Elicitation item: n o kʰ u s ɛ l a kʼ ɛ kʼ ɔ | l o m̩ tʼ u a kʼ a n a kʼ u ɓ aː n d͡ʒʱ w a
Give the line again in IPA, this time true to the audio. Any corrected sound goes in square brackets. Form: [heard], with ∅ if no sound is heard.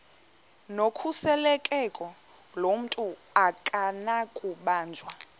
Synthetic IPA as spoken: n o kʰ u s ɛ l [ɛ] kʼ ɛ kʼ ɔ | l o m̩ tʼ u a kʼ a n a kʼ u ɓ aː n d͡ʒʱ w a